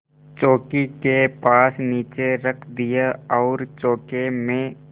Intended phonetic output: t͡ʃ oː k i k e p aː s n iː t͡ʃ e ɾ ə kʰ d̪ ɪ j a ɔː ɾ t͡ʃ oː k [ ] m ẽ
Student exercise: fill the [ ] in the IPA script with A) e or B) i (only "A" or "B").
A